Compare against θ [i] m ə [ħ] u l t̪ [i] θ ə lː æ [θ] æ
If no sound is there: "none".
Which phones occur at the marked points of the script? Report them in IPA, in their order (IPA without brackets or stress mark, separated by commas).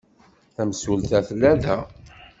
æ, s, æ, ð